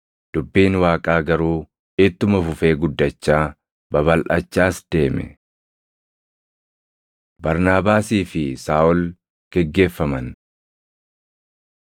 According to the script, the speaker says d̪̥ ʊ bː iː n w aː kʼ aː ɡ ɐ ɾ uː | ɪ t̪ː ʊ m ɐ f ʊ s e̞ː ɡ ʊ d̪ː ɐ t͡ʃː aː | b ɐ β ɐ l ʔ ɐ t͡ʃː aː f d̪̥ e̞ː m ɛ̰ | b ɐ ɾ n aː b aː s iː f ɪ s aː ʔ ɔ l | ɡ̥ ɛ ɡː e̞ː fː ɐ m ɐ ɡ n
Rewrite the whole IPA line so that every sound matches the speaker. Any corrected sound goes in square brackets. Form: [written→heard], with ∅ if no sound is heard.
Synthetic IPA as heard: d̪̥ ʊ bː iː n w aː kʼ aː ɡ ɐ ɾ uː | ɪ t̪ː ʊ m ɐ f ʊ [s→f] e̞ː ɡ ʊ d̪ː ɐ t͡ʃː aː | b ɐ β ɐ l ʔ ɐ t͡ʃː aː [f→s] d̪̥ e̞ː m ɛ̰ | b ɐ ɾ n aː b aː s iː f ɪ s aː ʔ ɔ l | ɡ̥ ɛ ɡː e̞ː fː ɐ m ɐ [ɡ→∅] n